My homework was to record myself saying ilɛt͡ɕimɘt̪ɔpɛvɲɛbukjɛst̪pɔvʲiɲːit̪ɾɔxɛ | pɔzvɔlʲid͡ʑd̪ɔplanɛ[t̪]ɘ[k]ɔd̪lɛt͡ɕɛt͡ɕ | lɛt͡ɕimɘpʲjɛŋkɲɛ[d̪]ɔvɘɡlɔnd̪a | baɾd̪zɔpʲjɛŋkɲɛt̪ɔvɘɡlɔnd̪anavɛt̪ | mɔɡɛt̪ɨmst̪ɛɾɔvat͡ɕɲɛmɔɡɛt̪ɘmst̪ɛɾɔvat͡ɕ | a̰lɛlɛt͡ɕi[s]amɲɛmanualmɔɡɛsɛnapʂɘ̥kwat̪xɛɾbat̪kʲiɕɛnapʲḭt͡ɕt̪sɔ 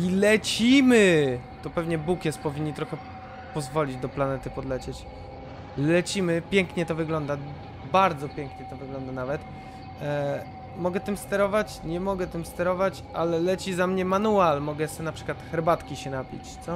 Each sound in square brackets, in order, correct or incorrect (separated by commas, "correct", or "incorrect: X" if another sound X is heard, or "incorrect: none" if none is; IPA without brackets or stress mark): correct, incorrect: p, incorrect: t̪, incorrect: z